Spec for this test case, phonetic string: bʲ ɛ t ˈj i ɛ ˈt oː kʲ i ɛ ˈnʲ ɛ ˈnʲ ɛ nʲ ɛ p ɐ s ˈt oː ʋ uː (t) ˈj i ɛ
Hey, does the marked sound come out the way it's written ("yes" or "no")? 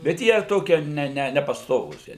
no